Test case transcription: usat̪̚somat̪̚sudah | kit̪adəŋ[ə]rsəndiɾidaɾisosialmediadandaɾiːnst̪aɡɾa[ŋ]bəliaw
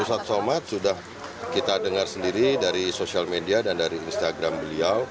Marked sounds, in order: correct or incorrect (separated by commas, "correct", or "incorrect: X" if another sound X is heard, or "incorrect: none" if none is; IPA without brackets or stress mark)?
incorrect: a, incorrect: m